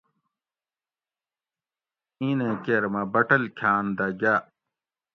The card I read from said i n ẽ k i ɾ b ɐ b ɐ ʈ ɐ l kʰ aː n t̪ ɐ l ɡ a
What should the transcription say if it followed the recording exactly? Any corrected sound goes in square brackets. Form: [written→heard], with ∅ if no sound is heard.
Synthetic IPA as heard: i n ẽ k [i→e] ɾ [b→m] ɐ b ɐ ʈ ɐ l kʰ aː n [t̪→d̪] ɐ [l→∅] ɡ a

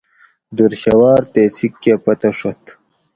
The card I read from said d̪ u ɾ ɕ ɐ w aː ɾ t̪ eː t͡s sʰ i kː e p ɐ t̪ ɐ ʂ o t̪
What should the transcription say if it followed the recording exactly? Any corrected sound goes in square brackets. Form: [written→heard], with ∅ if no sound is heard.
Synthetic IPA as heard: d̪ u ɾ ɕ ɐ w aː ɾ t̪ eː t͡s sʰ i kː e p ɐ t̪ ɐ ʂ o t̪

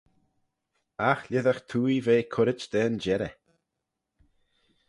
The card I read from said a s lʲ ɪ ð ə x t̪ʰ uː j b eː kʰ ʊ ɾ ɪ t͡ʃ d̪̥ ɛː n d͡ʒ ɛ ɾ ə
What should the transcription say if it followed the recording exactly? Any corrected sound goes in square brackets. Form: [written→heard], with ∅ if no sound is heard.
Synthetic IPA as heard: a [s→x] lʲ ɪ ð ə x t̪ʰ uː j [b→v] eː kʰ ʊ ɾ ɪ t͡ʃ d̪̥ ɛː n d͡ʒ ɛ ɾ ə

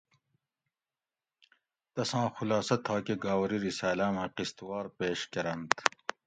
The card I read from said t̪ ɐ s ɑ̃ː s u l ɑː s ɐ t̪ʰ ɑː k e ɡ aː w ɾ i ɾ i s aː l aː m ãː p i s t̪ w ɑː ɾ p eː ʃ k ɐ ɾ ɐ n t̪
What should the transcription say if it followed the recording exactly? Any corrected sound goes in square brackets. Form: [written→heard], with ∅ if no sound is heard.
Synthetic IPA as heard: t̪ ɐ s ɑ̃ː [s→x] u l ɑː s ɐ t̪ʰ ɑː k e ɡ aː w ɾ i ɾ i s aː l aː m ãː [p→q] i s t̪ w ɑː ɾ p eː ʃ k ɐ ɾ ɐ n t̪

